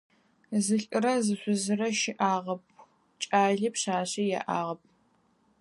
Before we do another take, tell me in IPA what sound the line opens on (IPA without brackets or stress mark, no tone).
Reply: z